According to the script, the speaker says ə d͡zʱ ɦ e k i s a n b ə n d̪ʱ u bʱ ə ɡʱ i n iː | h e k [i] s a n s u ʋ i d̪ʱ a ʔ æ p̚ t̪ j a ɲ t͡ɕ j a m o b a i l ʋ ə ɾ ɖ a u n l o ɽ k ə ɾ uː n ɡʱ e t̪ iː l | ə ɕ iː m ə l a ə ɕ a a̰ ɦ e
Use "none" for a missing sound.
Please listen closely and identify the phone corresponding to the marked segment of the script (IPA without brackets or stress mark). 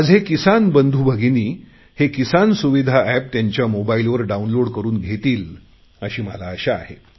i